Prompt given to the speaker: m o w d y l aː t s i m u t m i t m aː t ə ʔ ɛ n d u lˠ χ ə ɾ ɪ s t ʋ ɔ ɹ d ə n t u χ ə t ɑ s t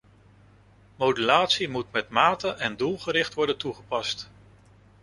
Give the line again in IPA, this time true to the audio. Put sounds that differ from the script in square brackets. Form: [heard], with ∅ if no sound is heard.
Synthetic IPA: m o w d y l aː t s i m u t m [ɛ] t m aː t ə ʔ ɛ n d u lˠ χ ə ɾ ɪ [χ] t ʋ ɔ ɹ d ə n t u χ ə [p] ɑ s t